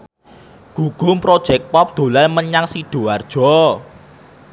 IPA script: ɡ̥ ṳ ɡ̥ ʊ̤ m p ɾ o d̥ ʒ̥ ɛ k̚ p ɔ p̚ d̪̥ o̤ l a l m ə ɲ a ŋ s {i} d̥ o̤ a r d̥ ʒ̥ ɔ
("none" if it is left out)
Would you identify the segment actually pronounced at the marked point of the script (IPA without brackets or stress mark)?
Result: i